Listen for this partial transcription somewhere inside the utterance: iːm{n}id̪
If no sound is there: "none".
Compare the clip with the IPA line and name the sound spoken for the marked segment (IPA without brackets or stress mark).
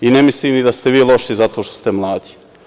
n